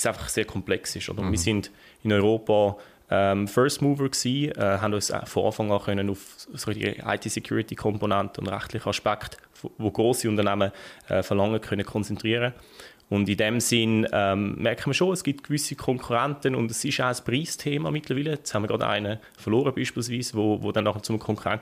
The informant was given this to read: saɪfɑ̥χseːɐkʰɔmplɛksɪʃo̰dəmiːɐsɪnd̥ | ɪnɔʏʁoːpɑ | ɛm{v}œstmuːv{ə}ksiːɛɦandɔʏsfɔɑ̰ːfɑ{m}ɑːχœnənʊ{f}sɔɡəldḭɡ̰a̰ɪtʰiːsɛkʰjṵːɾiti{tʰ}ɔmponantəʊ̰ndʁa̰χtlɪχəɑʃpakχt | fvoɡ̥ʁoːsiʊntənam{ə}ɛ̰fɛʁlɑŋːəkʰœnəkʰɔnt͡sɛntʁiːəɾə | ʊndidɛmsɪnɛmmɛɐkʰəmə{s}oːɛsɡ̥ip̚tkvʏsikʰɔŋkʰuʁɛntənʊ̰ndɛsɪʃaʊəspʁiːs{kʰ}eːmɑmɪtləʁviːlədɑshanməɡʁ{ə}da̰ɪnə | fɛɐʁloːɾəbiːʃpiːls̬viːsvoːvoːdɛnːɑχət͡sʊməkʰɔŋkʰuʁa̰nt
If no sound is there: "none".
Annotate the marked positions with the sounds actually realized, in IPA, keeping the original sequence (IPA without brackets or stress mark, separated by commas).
f, ə, ŋ, f, kʰ, ə, ʃ, tʰ, ɑ